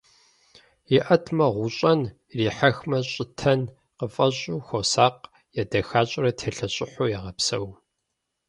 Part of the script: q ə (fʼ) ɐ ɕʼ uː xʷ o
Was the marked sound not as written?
no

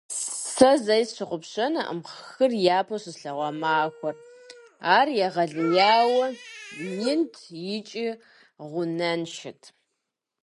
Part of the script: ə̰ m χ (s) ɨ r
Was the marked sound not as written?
yes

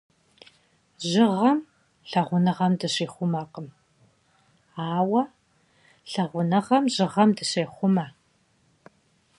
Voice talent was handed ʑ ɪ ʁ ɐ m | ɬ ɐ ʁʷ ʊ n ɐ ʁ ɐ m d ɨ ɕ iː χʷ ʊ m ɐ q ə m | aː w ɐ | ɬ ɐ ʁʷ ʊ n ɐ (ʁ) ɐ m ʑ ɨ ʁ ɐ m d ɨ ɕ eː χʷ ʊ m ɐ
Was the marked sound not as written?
no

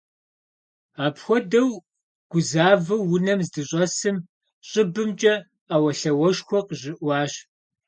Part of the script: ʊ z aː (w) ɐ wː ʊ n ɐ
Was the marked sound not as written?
yes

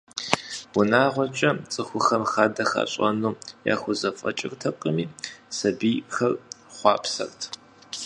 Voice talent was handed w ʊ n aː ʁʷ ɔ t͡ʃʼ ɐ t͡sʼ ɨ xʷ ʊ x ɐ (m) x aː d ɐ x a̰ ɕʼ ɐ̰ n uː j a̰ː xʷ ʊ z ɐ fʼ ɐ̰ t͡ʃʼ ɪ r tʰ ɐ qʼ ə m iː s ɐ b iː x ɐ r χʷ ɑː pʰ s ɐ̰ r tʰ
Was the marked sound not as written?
no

